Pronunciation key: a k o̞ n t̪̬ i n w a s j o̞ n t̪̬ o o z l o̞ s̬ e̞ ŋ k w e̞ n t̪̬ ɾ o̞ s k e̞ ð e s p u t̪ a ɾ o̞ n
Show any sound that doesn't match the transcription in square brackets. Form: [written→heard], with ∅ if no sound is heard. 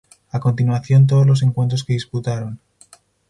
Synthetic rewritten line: a k o̞ n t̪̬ i n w a [s→θ] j o̞ n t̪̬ o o z l o̞ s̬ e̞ ŋ k w e̞ n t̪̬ ɾ o̞ s k e̞ ð [e→i] s p u t̪ a ɾ o̞ n